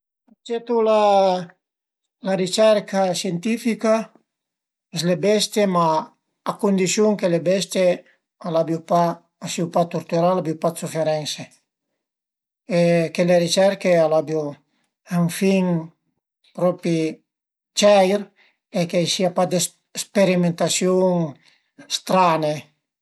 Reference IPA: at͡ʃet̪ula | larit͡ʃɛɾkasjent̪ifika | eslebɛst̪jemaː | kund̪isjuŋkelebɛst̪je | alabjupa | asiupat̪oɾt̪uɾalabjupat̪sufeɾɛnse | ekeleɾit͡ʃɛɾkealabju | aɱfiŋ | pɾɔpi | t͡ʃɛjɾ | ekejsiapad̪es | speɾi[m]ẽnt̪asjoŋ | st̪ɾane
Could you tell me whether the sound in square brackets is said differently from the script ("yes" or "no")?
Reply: no